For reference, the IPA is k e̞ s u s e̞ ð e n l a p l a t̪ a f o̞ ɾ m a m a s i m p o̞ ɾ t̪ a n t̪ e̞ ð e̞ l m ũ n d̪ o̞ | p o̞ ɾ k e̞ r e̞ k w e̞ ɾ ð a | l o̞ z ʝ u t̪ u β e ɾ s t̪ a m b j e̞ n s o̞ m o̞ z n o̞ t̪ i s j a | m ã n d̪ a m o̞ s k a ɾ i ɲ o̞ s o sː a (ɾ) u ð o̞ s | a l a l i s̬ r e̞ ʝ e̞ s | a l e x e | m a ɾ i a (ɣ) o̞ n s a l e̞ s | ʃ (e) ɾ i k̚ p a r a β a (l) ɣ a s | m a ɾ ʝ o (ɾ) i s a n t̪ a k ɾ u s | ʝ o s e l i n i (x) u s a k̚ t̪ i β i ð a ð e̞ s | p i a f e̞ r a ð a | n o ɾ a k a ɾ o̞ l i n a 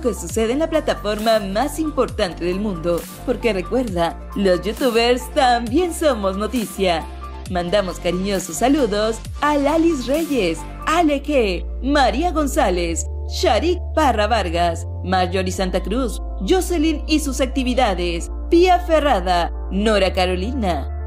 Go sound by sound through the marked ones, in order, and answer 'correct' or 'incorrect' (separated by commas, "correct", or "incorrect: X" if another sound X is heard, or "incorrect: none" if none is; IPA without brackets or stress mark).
incorrect: l, correct, incorrect: a, incorrect: ɾ, correct, incorrect: s